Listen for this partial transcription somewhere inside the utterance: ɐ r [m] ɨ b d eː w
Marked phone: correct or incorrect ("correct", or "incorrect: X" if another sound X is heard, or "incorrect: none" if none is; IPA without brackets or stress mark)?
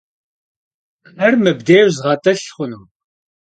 correct